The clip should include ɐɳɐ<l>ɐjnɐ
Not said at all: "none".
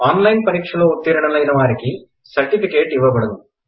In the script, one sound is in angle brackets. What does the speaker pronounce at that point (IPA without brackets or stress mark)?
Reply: l